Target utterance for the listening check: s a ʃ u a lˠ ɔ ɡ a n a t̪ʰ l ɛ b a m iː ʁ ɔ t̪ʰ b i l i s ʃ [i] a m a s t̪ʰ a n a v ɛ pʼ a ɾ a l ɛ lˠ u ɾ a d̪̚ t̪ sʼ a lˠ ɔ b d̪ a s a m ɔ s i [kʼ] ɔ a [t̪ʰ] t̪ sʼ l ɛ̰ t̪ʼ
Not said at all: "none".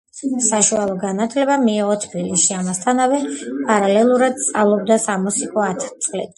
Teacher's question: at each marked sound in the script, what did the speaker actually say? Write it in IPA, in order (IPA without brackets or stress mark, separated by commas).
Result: i, kʼ, t̪ʰ